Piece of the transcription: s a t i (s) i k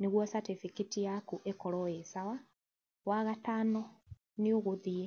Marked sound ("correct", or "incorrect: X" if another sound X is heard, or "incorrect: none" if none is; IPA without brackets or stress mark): incorrect: f